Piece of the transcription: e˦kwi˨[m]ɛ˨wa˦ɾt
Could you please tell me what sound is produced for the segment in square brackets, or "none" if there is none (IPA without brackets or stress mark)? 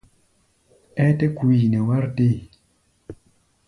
n